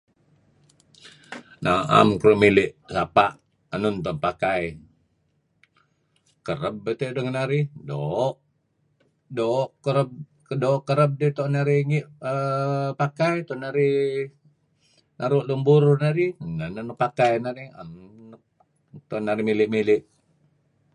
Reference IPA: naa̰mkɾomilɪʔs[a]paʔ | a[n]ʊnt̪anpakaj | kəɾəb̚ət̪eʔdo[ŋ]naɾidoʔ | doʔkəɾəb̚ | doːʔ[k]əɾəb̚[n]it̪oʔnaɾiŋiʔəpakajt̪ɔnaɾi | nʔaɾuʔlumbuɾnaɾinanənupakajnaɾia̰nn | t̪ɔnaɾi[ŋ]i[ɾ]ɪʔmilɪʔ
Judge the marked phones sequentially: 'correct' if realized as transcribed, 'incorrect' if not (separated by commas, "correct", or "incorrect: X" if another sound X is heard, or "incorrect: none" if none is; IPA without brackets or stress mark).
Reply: correct, correct, correct, correct, incorrect: d, incorrect: m, incorrect: l